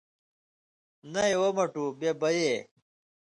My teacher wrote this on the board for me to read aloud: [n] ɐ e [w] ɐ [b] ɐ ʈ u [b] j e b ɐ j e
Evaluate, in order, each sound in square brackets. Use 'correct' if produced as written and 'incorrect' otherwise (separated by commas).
correct, correct, incorrect, correct